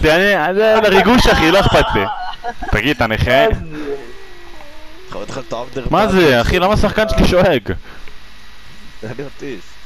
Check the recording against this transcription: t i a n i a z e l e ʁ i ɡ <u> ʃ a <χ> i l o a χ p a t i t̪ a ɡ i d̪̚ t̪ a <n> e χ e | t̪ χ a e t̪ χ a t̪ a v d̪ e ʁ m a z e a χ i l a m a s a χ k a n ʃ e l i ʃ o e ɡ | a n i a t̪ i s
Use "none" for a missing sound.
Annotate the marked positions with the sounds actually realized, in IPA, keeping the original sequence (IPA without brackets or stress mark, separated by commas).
u, χ, n